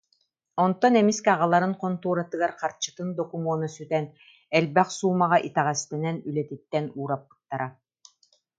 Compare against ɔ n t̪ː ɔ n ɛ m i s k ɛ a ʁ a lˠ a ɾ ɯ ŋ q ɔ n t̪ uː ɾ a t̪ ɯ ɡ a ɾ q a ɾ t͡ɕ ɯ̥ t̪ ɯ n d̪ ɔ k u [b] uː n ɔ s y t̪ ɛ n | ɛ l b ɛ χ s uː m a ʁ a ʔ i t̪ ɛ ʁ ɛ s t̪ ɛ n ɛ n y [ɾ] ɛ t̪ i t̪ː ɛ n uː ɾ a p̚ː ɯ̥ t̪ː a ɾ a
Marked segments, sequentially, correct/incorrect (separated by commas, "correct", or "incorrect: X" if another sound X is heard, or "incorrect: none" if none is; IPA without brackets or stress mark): incorrect: m, incorrect: l